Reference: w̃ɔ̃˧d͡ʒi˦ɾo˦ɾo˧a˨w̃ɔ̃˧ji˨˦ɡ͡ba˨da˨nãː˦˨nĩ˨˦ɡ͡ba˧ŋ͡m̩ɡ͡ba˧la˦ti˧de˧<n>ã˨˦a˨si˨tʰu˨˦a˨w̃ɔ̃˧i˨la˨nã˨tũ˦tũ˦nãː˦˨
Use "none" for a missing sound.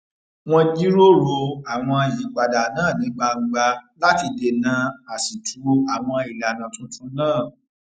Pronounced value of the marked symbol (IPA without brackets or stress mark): n